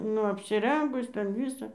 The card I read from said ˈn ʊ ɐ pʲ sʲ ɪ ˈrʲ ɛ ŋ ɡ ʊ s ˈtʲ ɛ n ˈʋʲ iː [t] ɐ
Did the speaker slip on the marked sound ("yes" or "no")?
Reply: yes